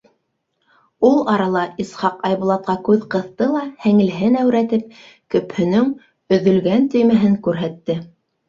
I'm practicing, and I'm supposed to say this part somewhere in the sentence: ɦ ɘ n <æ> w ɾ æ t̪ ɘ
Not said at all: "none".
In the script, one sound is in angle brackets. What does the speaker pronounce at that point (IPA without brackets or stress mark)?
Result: æ